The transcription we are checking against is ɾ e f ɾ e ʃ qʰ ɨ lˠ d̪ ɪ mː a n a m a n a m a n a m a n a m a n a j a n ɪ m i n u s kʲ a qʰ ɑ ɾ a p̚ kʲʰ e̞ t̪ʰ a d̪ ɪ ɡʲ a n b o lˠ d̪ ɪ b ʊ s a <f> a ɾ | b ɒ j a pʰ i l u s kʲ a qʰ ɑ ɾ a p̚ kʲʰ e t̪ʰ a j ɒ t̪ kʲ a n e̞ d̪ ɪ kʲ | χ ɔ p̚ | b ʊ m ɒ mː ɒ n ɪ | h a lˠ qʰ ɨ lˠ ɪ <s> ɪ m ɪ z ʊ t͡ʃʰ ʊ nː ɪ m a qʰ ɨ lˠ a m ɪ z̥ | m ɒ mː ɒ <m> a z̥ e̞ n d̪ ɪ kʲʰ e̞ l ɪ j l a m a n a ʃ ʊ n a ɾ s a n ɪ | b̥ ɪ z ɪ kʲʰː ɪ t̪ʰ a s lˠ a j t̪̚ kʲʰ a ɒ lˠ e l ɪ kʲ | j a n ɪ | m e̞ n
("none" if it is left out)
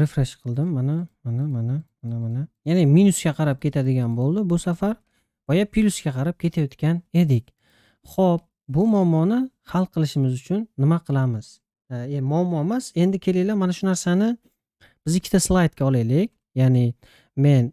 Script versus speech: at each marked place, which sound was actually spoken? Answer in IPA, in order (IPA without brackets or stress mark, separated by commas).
f, ʃ, m